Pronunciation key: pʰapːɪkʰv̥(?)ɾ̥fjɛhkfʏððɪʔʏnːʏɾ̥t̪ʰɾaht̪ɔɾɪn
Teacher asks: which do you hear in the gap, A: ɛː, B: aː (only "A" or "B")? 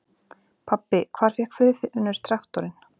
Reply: B